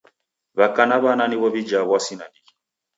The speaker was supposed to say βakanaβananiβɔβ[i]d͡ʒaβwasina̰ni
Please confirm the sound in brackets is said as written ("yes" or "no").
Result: yes